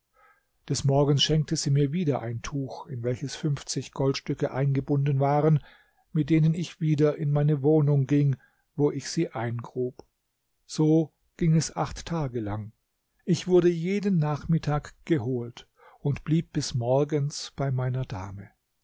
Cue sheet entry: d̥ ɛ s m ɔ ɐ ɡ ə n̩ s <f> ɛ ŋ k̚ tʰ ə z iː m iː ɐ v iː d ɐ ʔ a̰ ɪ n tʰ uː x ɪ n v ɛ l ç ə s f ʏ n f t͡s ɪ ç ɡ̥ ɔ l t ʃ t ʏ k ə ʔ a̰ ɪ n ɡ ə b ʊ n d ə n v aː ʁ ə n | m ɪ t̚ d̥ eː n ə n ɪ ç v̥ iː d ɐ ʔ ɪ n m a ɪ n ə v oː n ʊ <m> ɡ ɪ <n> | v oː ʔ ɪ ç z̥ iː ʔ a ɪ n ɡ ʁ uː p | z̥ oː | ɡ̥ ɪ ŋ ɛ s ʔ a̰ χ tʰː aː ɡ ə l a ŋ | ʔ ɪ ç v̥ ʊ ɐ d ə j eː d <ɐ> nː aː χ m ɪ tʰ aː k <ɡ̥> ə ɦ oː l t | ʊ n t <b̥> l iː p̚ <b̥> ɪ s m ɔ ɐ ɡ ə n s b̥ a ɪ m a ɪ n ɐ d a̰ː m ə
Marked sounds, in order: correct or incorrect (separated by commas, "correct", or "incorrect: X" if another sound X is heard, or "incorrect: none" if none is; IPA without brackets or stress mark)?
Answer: incorrect: ʃ, incorrect: ŋ, incorrect: ŋ, incorrect: ə, correct, correct, correct